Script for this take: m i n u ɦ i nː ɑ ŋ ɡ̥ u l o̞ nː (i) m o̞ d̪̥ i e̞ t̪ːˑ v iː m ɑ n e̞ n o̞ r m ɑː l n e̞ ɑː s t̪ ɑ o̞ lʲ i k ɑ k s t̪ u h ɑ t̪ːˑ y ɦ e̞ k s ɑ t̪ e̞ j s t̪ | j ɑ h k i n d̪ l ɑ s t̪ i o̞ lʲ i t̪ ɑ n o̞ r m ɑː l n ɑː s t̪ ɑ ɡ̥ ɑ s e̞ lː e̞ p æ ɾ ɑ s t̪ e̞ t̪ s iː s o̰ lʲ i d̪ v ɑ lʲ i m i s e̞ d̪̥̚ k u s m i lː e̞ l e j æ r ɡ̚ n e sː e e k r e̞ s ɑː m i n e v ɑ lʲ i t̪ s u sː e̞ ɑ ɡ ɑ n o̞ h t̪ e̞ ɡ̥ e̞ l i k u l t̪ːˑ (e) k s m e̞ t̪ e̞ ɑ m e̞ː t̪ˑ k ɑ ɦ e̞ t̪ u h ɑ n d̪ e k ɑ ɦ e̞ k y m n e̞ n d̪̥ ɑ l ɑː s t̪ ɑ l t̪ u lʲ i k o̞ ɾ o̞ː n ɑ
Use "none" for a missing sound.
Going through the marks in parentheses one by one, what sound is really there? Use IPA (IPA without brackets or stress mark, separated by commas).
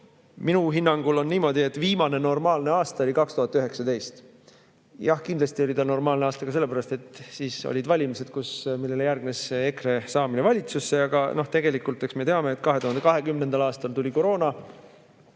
iː, e